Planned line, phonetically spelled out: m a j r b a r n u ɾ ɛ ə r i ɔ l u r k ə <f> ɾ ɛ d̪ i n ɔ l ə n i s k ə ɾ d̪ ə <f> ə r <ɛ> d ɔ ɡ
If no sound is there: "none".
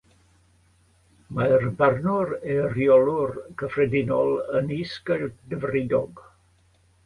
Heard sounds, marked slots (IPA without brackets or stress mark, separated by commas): f, v, i